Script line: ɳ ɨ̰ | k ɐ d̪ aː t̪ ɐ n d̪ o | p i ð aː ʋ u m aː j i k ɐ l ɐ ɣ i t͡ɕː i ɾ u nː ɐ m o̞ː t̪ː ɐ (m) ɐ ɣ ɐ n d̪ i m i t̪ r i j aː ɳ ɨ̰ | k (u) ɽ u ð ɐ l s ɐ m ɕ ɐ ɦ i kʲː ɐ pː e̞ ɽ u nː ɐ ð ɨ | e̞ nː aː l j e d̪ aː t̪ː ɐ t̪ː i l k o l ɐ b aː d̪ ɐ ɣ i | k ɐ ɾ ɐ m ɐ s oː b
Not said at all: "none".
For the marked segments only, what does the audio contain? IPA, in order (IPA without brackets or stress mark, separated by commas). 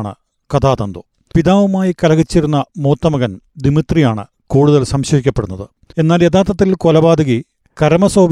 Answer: m, uː